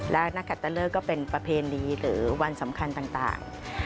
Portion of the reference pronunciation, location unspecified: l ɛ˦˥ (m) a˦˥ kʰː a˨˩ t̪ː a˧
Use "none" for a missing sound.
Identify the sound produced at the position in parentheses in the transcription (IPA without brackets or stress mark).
n